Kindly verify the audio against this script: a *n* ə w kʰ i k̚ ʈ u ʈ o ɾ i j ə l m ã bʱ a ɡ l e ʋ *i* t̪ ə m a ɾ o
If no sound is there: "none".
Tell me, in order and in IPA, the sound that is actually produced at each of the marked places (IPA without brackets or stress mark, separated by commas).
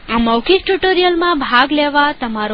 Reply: m, a